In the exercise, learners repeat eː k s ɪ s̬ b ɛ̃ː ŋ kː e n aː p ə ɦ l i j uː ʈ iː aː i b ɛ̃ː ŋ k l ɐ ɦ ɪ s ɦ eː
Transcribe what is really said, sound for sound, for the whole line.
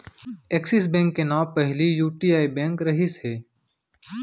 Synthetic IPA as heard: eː k s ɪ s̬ b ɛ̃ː ŋ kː e n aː p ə ɦ l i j uː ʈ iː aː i b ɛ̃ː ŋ k ɾ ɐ ɦ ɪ s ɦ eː